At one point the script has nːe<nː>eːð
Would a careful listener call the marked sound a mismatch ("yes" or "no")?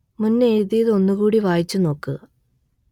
yes